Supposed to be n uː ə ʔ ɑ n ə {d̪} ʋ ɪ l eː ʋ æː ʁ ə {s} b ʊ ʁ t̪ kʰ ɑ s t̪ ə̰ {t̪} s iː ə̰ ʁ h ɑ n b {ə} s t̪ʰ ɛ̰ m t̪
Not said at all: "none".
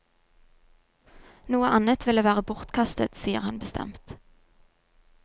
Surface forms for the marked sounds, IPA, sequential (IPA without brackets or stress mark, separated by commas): t̪, none, t̪, ə